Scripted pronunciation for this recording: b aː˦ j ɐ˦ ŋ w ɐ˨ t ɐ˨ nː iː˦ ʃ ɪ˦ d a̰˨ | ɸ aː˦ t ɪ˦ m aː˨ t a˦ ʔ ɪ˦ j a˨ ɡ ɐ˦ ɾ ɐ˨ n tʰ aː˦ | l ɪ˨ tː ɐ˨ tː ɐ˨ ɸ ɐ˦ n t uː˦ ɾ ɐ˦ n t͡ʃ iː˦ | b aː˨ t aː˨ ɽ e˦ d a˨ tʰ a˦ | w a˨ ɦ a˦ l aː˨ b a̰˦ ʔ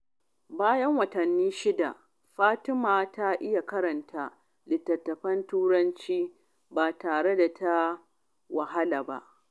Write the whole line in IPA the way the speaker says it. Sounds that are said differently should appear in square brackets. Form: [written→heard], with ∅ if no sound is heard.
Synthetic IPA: b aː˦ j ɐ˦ ŋ w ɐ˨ t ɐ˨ nː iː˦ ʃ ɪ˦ d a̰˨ | ɸ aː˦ t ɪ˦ m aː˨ t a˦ ʔ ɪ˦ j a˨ [ɡ→k] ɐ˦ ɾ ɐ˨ n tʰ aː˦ | l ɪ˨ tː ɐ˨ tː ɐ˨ ɸ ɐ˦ n t uː˦ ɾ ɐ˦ n t͡ʃ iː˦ | b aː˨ t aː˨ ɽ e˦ d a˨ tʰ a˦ | w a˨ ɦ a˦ l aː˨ b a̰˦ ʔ